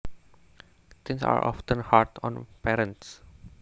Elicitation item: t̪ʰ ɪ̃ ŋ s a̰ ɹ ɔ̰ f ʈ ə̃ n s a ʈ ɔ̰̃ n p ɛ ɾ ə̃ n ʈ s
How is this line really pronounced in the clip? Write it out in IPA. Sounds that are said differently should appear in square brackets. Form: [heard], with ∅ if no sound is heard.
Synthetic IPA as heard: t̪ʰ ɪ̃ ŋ s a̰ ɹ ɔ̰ f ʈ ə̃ n [h] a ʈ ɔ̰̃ n p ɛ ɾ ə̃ n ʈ s